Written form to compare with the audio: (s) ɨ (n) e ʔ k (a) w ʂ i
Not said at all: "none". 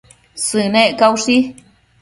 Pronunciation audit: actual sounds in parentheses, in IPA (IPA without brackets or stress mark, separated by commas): s, n, a